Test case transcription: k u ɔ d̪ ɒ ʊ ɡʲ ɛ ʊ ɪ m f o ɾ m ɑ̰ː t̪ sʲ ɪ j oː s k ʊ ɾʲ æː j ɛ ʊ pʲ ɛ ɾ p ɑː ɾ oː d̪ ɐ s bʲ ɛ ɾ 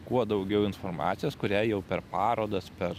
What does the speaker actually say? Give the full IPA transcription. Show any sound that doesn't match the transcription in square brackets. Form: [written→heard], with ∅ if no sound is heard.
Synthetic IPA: k u ɔ d̪ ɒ ʊ ɡʲ ɛ ʊ ɪ [m→n] f o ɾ m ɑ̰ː t̪ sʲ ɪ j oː s k ʊ ɾʲ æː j ɛ ʊ pʲ ɛ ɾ p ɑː ɾ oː d̪ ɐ s [bʲ→pʲ] ɛ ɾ